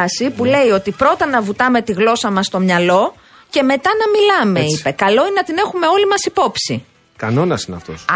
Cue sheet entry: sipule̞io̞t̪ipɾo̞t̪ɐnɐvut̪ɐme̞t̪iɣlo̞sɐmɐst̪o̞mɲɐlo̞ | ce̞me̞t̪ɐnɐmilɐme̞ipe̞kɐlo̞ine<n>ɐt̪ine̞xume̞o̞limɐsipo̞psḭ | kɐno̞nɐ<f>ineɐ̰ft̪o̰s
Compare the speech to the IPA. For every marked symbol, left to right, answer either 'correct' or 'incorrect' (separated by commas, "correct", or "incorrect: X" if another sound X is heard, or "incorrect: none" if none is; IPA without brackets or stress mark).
correct, incorrect: s